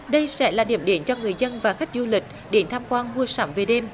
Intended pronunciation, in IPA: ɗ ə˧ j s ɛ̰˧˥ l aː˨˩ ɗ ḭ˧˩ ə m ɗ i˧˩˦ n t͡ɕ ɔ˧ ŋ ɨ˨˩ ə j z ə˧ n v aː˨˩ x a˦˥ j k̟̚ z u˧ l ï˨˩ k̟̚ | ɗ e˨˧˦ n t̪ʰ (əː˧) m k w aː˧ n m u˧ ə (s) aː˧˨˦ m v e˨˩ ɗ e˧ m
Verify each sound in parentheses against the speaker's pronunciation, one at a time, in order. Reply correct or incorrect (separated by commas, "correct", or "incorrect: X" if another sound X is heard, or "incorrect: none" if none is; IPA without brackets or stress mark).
incorrect: aː˧, correct